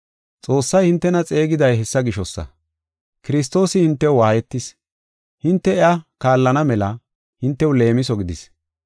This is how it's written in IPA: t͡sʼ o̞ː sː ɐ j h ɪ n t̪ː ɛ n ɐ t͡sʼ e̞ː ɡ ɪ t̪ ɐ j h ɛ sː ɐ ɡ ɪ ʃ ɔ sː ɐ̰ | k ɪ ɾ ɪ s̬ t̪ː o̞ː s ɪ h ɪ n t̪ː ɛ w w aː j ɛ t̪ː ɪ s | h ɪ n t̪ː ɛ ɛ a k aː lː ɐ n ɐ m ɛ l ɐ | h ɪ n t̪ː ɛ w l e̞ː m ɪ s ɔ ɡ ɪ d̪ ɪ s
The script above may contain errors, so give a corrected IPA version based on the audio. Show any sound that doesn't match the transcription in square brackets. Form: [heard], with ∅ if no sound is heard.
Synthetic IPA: t͡sʼ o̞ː sː ɐ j h ɪ n t̪ː ɛ n ɐ t͡sʼ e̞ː ɡ ɪ [d̪] ɐ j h ɛ sː ɐ ɡ ɪ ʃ ɔ sː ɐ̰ | k ɪ ɾ ɪ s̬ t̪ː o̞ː s ɪ h ɪ n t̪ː ɛ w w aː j ɛ t̪ː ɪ s | h ɪ n t̪ː ɛ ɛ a k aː lː ɐ n ɐ m ɛ l ɐ | h ɪ n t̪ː ɛ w l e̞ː m ɪ s ɔ ɡ ɪ d̪ ɪ s